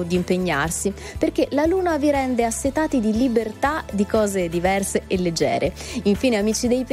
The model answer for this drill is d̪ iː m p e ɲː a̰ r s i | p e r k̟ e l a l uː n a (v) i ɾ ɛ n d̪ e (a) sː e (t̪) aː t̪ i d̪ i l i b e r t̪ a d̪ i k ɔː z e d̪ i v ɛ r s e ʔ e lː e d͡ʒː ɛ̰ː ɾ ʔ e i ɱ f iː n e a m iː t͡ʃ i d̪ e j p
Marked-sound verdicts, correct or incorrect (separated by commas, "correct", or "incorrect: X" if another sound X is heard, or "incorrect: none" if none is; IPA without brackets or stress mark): correct, correct, correct